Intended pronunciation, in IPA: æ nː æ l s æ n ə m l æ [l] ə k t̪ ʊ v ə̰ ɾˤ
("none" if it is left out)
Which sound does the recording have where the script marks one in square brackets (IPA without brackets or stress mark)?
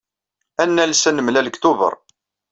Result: l